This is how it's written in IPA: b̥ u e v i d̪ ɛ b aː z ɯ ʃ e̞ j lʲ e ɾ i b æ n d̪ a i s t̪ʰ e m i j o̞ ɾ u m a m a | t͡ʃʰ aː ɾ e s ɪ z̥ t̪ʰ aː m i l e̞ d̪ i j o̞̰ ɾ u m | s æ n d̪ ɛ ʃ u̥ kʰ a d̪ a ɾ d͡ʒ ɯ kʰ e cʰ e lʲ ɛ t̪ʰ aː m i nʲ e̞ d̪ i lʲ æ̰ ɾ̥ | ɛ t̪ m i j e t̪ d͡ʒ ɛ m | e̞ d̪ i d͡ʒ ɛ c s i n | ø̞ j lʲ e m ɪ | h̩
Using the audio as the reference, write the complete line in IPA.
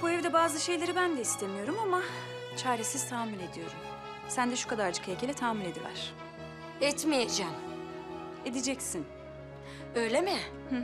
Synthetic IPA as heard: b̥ u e v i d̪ ɛ b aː z ɯ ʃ e̞ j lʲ e ɾ i b æ n d̪ ɛ i s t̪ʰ e m i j o̞ ɾ u m a m a | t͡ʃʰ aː ɾ e s i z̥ t̪ʰ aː m i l e̞ d̪ i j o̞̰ ɾ u m | s æ n d̪ ɛ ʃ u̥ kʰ a d̪ a ɾ d͡ʒ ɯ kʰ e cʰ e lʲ ɛ t̪ʰ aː m i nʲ e̞ d̪ i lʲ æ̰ ɾ̥ | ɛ t̪ m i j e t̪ d͡ʒ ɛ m | e̞ d̪ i d͡ʒ ɛ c s i n | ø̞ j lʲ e m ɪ | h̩